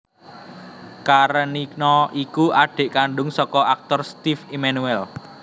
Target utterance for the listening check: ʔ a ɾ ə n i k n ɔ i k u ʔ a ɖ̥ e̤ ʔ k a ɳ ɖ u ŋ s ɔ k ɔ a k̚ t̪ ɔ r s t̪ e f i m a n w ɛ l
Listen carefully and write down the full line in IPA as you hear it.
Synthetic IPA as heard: k a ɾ ə n i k n ɔ i k u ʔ a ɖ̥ e̤ ʔ k a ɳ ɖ ʊ ŋ s ɔ k ɔ a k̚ t̪ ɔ r s t̪ i f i m a n u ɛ l